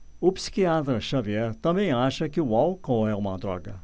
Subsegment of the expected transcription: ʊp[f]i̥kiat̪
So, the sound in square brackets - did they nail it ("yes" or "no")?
no